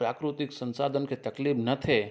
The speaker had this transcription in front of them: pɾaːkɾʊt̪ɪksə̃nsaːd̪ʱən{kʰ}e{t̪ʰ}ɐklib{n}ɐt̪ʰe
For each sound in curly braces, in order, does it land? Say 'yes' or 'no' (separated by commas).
no, no, yes